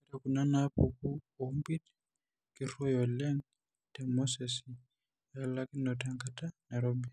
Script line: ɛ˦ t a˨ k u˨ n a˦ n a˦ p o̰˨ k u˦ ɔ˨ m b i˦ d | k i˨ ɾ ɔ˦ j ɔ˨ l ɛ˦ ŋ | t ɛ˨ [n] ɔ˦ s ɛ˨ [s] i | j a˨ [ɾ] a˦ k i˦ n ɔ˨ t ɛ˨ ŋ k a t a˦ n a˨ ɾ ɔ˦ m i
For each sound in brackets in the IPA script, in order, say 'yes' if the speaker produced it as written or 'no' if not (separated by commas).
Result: no, yes, no